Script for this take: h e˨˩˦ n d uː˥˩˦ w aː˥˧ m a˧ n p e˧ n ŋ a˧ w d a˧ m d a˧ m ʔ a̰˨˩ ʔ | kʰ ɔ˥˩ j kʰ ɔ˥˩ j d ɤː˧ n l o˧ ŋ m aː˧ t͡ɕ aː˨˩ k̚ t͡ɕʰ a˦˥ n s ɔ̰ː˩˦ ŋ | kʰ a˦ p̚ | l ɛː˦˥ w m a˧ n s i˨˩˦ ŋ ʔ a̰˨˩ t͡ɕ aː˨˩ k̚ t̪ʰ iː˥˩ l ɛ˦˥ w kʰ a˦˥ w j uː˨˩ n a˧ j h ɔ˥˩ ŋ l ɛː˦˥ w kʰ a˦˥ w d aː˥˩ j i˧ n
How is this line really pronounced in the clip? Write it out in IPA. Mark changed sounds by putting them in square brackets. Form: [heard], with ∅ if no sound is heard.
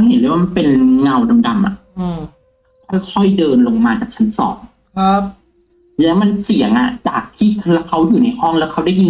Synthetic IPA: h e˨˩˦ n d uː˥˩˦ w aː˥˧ m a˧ n p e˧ n ŋ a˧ w d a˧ m d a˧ m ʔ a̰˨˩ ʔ | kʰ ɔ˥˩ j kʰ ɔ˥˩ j d ɤː˧ n l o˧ ŋ m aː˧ t͡ɕ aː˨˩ k̚ t͡ɕʰ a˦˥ n s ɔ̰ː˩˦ ŋ | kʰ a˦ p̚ | l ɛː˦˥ w m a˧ n s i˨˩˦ ŋ ʔ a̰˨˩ t͡ɕ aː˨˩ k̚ t̪ʰ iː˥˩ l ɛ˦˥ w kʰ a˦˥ w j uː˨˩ n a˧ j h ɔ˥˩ ŋ l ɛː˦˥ w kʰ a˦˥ w d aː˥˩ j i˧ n